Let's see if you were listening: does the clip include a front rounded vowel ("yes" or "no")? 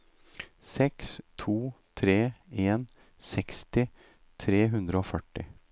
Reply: yes